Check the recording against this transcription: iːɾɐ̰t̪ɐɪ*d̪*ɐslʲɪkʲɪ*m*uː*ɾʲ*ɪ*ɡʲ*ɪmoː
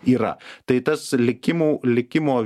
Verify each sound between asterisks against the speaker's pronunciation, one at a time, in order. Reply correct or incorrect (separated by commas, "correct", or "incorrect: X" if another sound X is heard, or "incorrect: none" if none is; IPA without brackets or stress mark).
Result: incorrect: t̪, correct, incorrect: lʲ, incorrect: kʲ